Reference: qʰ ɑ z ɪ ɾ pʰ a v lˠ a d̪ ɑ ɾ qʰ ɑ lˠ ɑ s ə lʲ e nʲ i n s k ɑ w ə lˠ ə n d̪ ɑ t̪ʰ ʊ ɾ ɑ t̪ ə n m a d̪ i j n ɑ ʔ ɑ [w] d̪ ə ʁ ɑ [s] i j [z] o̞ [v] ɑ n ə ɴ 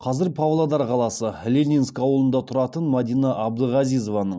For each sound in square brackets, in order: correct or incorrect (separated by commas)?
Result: incorrect, incorrect, correct, correct